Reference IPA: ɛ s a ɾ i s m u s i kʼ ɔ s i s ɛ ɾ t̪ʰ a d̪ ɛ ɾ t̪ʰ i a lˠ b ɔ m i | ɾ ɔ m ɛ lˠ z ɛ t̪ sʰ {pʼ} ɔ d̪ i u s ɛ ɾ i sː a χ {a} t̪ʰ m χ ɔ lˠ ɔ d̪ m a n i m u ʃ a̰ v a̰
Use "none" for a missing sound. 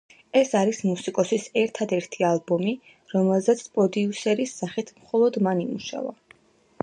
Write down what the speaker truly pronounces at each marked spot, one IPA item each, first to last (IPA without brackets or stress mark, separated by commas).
pʼ, i